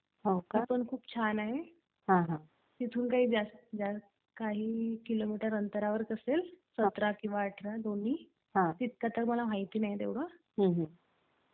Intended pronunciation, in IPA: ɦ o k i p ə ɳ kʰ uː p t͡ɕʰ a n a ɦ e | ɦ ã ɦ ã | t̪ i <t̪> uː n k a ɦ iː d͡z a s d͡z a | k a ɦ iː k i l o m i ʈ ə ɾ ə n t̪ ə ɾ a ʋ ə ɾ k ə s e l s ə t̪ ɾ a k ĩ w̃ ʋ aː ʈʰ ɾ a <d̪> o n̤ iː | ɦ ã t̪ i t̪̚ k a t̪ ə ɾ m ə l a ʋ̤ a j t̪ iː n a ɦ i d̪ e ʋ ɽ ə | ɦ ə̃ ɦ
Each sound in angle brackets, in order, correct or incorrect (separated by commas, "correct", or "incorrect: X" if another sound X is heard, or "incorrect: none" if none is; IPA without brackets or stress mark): incorrect: t̪ʰ, correct